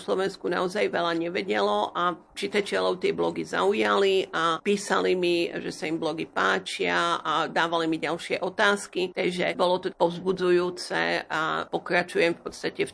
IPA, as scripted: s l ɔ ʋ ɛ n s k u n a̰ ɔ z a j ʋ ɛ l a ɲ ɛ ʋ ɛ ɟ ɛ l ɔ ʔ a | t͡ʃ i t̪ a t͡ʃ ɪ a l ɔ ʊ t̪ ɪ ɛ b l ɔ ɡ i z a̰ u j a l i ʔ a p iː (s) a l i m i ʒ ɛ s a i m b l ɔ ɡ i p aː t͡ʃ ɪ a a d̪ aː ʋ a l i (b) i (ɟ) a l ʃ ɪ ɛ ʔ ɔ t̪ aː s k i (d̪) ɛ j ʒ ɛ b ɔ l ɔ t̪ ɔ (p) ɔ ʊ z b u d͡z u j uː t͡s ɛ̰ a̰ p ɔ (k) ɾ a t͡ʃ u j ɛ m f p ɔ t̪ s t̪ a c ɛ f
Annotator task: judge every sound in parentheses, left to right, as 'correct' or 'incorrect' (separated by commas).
correct, incorrect, correct, incorrect, correct, correct